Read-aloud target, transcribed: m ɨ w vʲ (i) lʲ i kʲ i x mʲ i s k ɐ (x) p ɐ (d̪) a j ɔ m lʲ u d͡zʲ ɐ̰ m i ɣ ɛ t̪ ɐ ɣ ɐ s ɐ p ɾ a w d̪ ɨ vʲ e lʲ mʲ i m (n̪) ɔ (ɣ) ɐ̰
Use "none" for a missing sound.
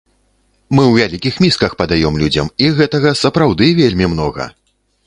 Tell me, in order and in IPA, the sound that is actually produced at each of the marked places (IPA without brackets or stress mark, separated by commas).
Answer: a, x, d̪, n̪, ɣ